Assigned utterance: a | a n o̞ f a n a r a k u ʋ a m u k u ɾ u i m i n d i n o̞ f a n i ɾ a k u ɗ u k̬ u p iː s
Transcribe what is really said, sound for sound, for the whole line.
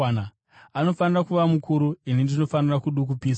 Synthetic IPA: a | a n o̞ f a n i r a k u ʋ a m u k u ɾ u i n i n d i n o̞ f a n i r a k u ɗ u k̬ u p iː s